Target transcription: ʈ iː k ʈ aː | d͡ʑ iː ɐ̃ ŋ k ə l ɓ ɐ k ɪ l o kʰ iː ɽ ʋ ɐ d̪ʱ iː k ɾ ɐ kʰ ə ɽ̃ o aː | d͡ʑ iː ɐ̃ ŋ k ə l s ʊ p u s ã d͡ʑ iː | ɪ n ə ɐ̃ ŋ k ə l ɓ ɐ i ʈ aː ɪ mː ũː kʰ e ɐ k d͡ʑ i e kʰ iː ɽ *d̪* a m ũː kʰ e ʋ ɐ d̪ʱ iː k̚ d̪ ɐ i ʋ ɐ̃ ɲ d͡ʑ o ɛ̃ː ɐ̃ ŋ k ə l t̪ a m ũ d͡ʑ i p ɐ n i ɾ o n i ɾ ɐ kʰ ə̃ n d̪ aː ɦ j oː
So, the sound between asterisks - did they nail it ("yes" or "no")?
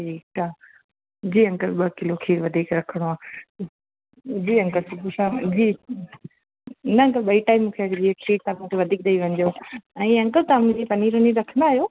no